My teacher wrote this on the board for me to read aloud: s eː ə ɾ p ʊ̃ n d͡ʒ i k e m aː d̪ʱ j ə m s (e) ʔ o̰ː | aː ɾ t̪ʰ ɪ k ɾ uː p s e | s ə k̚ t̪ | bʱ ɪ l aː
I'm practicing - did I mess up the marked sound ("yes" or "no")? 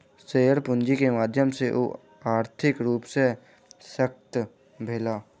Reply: no